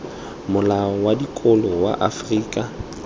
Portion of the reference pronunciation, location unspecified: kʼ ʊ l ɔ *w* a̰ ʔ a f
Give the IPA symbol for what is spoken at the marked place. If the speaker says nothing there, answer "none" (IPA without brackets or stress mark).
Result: w